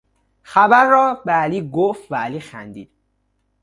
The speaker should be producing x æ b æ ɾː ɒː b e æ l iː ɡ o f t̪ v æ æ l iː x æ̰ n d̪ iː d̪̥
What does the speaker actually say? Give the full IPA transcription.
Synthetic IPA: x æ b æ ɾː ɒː b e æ l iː ɡ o f t̪ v æ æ l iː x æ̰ n d̪ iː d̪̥